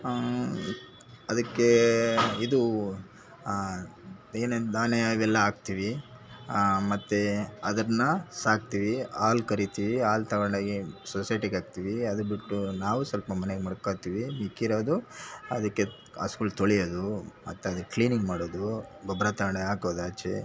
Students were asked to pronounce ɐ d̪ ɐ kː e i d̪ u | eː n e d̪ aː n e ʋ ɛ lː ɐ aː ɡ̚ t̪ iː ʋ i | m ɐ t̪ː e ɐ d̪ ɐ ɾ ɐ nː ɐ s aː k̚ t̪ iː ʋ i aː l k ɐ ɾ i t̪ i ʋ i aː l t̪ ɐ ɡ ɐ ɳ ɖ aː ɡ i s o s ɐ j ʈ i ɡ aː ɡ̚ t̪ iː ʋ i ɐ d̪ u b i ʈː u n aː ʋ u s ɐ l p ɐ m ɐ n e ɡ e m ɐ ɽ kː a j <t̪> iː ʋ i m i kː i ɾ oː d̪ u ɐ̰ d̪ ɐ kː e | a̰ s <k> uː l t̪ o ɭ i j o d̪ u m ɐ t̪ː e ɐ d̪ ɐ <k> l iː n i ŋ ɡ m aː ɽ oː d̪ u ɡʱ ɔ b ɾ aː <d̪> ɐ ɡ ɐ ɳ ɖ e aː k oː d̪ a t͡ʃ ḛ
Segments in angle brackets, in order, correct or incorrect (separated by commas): correct, correct, correct, incorrect